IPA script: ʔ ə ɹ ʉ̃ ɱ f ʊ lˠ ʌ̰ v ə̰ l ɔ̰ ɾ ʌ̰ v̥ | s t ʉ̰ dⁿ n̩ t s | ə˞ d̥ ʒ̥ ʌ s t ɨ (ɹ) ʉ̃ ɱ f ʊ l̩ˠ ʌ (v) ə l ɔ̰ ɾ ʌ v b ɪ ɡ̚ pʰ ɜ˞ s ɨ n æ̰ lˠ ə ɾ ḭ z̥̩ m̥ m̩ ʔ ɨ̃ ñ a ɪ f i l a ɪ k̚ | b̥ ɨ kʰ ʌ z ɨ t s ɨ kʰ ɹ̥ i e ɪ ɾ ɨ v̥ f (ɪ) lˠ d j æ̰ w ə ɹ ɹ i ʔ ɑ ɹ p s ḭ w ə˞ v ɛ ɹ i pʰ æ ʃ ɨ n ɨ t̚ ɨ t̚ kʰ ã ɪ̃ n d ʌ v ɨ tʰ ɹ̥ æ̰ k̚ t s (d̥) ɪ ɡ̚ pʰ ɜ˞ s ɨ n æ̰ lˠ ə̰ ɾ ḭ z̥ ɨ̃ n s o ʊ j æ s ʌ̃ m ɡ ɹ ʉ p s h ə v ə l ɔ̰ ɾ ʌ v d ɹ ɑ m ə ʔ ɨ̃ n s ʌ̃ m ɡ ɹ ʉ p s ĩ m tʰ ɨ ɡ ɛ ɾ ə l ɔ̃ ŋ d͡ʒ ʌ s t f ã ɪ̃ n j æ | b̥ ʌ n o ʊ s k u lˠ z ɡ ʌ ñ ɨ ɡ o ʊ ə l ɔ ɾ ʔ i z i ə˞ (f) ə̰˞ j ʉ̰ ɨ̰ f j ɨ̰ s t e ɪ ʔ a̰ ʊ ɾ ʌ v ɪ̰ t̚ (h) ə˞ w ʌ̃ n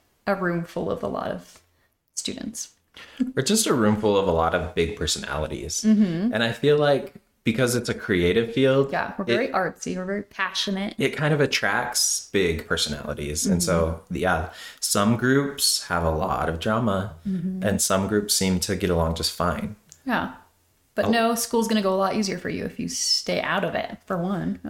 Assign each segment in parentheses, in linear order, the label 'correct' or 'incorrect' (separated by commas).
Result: correct, correct, incorrect, incorrect, correct, incorrect